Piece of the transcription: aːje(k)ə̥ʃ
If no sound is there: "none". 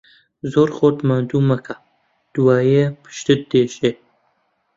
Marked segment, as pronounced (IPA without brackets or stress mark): p